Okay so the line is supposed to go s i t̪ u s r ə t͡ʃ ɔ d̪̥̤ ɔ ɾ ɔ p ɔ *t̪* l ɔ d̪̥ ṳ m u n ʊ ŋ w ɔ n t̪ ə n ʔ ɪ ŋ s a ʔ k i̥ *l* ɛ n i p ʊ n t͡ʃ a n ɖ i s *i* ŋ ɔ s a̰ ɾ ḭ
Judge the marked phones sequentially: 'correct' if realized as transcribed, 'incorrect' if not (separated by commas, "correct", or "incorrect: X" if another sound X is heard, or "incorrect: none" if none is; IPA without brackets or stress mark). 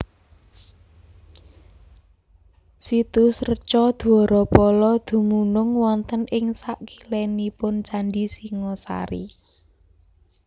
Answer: incorrect: none, correct, correct